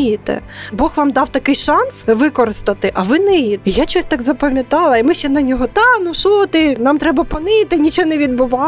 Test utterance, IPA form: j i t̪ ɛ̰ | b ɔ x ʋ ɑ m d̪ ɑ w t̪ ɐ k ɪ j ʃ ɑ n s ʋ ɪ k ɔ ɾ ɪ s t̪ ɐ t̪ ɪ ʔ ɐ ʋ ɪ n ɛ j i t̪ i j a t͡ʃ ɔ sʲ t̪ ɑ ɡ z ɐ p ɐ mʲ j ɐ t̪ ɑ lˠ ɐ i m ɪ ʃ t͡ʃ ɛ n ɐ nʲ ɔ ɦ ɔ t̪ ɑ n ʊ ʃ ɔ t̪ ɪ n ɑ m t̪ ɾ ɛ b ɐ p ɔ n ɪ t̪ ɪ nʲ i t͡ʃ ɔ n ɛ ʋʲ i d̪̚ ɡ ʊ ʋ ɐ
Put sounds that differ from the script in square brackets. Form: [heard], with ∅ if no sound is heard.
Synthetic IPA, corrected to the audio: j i t̪ ɛ̰ | b ɔ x ʋ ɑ m d̪ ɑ w t̪ ɐ k ɪ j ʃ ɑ n s ʋ ɪ k ɔ ɾ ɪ s t̪ ɐ t̪ ɪ ʔ ɐ ʋ ɪ n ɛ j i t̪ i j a t͡ʃ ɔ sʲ t̪ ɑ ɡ z ɐ p ɐ mʲ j ɐ t̪ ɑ lˠ ɐ i m ɪ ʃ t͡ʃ ɛ n ɐ nʲ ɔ ɦ ɔ t̪ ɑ n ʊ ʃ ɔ t̪ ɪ n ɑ m t̪ ɾ ɛ b ɐ p ɔ n ɪ t̪ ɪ nʲ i t͡ʃ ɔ n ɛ ʋʲ i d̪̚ [b] ʊ ʋ [ɑ]